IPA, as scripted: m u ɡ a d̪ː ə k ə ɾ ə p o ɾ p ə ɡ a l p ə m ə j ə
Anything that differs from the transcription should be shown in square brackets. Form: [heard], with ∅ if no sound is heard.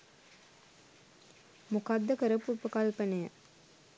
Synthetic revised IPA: m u [k] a d̪ː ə k ə ɾ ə p [u] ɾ p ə [k] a l p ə [n] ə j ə